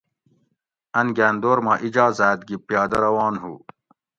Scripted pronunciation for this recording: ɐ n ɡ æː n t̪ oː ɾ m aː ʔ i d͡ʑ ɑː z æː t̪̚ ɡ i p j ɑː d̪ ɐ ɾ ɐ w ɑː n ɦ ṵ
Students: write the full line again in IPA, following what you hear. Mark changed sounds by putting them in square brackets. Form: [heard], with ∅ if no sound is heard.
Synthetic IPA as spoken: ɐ n ɡ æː n [d̪] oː ɾ m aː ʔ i d͡ʑ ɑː z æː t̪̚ ɡ i p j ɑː d̪ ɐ ɾ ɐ w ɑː n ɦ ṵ